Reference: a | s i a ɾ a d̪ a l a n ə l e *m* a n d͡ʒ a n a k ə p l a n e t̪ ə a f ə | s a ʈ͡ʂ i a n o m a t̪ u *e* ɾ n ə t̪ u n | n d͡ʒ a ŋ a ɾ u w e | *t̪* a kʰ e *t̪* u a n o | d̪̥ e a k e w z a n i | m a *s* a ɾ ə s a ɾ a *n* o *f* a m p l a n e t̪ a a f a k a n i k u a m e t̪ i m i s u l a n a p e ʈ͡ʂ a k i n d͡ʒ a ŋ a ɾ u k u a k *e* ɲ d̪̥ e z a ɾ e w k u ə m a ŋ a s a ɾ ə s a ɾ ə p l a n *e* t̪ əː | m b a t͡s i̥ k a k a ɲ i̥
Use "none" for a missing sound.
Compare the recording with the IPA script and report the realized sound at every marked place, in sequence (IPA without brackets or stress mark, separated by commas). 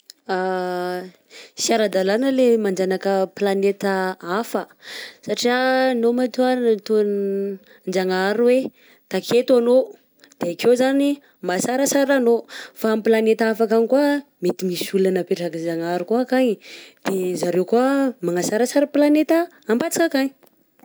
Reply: m, a, t̪, t̪, s, n, f, a, e